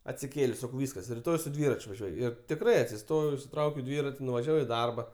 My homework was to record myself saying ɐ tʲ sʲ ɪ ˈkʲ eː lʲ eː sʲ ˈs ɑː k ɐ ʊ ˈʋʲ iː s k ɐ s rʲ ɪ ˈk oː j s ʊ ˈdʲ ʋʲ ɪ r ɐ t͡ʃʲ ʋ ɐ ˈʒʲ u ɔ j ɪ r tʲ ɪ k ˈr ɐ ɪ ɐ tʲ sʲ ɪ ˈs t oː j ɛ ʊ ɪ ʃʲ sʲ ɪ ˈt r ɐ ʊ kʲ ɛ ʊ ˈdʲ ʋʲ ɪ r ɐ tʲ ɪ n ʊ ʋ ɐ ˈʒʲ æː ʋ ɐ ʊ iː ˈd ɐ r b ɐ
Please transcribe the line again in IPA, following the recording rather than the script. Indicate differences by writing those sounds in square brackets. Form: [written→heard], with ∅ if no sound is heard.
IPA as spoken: ɐ tʲ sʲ ɪ ˈkʲ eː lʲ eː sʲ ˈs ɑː k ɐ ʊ ˈʋʲ iː s k ɐ s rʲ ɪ [ˈk→ˈt] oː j s ʊ ˈdʲ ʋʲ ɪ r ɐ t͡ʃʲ ʋ ɐ ˈʒʲ u ɔ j ɪ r tʲ ɪ k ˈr ɐ ɪ ɐ tʲ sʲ ɪ ˈs t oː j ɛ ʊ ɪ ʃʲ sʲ ɪ ˈt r ɐ ʊ kʲ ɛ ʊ ˈdʲ ʋʲ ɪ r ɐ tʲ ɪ n ʊ ʋ ɐ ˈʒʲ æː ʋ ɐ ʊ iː ˈd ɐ r b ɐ

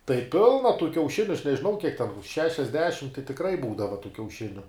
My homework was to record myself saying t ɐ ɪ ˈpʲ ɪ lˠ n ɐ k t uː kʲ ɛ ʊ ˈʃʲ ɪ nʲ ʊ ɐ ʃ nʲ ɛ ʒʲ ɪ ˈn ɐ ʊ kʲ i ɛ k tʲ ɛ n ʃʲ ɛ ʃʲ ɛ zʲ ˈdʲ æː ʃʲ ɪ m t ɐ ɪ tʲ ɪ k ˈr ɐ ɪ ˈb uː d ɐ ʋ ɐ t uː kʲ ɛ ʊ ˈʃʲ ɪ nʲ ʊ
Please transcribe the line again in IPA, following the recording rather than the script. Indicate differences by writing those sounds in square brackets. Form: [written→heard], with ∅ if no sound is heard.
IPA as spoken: t ɐ ɪ ˈpʲ ɪ lˠ n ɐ [k→∅] t uː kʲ ɛ ʊ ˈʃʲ ɪ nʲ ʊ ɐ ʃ nʲ ɛ ʒʲ ɪ ˈn ɐ ʊ kʲ i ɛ k tʲ ɛ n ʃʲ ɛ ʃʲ ɛ zʲ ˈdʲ æː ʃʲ ɪ m t ɐ ɪ tʲ ɪ k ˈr ɐ ɪ ˈb uː d ɐ ʋ ɐ t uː kʲ ɛ ʊ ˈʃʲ ɪ nʲ ʊ

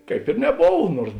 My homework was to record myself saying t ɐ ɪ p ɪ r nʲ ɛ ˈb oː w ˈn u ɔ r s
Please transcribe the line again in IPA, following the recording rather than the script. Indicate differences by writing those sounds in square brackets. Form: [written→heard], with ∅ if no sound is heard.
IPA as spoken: [t→k] ɐ ɪ p ɪ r nʲ ɛ ˈb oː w ˈn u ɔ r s

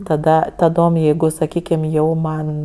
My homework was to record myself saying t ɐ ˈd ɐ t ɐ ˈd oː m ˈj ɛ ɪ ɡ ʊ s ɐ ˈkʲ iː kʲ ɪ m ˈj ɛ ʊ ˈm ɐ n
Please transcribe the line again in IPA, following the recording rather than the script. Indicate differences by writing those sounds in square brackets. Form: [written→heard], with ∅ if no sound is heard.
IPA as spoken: t ɐ ˈd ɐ t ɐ ˈd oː m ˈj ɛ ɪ ɡ ʊ s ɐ ˈkʲ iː kʲ ɪ m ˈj ɛ ʊ ˈm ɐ n

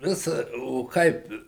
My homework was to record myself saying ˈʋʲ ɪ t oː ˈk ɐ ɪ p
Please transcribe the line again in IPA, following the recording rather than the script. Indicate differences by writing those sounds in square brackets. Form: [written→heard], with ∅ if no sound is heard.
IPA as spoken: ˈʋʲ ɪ [t→s] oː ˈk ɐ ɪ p

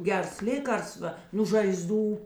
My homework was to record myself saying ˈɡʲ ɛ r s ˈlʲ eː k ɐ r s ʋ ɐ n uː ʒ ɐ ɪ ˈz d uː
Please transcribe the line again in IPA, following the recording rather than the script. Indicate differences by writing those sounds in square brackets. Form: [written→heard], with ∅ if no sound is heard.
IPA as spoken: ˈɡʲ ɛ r s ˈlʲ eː k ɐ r s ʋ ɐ n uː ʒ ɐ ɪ ˈz d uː

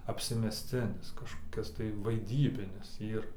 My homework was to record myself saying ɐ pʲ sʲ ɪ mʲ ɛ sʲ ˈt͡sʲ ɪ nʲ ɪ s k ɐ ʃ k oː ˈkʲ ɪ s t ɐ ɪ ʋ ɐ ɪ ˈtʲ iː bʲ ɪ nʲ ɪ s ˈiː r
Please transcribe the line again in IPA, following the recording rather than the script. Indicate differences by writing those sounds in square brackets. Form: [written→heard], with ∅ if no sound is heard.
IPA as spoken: ɐ pʲ sʲ ɪ mʲ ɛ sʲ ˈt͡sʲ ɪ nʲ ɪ s k ɐ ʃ k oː ˈkʲ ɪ s t ɐ ɪ ʋ ɐ ɪ [ˈtʲ→ˈdʲ] iː bʲ ɪ nʲ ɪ s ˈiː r

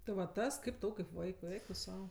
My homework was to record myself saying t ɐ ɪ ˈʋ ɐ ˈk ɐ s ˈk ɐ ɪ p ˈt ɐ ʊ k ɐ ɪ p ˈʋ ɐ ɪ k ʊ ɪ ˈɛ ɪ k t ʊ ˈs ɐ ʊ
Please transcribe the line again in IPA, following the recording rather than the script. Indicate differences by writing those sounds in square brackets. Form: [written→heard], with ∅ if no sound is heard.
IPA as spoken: t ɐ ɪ ˈʋ ɐ [ˈk→ˈt] ɐ s ˈk ɐ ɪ p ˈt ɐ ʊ k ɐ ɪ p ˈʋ ɐ ɪ k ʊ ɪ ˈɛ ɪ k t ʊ ˈs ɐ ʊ

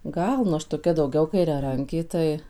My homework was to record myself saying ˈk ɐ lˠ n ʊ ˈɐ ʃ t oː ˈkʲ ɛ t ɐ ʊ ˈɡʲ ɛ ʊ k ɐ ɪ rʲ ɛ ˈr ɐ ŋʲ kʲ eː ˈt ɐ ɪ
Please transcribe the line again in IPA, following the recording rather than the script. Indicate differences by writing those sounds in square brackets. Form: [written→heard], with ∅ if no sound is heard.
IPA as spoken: [ˈk→ˈɡ] ɐ lˠ n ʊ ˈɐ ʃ t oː ˈkʲ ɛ [t→d] ɐ ʊ ˈɡʲ ɛ ʊ k ɐ ɪ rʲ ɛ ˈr ɐ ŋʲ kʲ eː ˈt ɐ ɪ

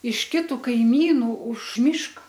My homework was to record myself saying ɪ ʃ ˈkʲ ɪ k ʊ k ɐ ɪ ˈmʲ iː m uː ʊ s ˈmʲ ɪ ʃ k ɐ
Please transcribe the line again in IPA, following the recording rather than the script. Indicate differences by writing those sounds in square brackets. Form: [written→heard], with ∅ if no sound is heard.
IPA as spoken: ɪ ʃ ˈkʲ ɪ [k→t] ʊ k ɐ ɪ ˈmʲ iː [m→n] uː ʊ [s→ʃ] ˈmʲ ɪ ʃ k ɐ

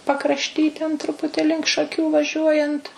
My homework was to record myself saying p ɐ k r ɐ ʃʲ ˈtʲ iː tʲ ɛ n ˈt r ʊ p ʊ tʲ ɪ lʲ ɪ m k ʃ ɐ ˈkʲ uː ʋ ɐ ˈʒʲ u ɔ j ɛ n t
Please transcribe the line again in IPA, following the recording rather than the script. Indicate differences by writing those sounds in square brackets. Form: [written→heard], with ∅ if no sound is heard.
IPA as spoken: p ɐ k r ɐ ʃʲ ˈtʲ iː tʲ ɛ n ˈt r ʊ p ʊ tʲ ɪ lʲ ɪ [m→ŋ] k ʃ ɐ ˈkʲ uː ʋ ɐ ˈʒʲ u ɔ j ɛ n t

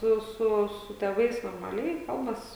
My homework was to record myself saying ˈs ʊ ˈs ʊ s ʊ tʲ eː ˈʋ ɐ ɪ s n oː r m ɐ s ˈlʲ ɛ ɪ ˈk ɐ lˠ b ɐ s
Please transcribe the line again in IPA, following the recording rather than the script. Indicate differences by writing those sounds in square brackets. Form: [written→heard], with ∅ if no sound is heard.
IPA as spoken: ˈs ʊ ˈs ʊ s ʊ tʲ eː ˈʋ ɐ ɪ s n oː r m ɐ [s→∅] ˈlʲ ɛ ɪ ˈk ɐ lˠ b ɐ s

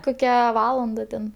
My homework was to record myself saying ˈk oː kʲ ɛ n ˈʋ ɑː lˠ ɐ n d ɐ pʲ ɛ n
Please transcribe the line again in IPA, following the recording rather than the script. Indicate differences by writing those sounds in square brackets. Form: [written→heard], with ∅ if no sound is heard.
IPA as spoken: ˈk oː kʲ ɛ [n→∅] ˈʋ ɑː lˠ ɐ n d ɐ [pʲ→tʲ] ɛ n

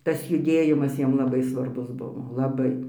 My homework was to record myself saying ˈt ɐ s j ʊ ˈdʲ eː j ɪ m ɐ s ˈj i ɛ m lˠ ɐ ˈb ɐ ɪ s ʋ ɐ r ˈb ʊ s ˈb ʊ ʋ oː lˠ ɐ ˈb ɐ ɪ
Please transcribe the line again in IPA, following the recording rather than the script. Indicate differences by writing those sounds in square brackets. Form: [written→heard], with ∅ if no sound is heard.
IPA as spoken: ˈt ɐ s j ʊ ˈdʲ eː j ɪ m ɐ s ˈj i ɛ m lˠ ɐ ˈb ɐ ɪ s ʋ ɐ r ˈb ʊ s ˈb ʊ ʋ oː lˠ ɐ ˈb ɐ ɪ

